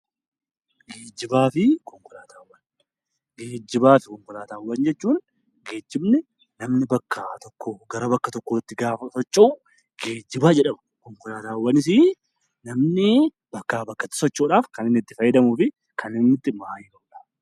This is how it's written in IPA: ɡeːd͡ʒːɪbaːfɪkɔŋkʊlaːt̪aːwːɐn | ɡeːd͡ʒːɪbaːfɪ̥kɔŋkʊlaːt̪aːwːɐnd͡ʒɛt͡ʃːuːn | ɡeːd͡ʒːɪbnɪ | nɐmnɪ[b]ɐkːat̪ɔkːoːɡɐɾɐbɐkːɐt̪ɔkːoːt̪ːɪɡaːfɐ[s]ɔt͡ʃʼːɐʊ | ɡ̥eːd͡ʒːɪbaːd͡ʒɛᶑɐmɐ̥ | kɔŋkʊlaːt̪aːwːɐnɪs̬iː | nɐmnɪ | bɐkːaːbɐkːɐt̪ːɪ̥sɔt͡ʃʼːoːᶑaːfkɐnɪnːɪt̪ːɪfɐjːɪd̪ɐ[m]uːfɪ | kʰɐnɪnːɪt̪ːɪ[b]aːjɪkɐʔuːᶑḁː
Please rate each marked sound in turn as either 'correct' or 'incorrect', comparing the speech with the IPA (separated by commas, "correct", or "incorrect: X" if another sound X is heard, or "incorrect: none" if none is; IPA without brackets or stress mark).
correct, correct, correct, incorrect: m